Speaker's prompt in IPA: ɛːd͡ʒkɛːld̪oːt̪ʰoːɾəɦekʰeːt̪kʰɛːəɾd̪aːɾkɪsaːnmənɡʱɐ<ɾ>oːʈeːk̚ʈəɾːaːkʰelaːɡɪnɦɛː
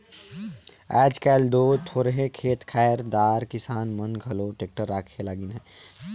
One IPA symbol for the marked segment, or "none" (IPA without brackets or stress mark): l